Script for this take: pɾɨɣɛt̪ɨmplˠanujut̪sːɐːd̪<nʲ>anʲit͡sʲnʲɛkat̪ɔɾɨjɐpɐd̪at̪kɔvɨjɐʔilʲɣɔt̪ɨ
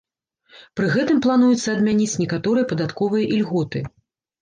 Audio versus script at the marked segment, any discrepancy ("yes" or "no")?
yes